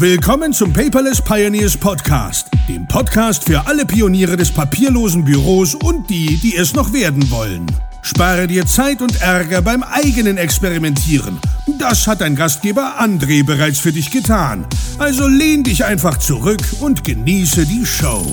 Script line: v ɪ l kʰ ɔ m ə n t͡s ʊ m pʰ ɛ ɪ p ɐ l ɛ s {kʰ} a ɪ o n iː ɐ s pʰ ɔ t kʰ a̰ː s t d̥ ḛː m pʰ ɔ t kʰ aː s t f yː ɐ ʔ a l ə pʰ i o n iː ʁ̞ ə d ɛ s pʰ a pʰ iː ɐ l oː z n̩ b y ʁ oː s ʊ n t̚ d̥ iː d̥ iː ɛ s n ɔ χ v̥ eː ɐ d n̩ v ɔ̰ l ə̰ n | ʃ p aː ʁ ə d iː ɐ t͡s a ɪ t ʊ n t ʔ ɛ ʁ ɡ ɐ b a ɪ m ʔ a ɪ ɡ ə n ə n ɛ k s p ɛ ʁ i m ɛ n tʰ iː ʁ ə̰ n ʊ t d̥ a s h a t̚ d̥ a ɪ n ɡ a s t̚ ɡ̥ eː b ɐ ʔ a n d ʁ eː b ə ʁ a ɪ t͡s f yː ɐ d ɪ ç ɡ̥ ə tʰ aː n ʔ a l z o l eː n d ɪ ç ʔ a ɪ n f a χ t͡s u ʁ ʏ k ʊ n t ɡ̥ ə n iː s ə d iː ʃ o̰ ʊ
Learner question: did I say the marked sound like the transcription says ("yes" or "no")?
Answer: no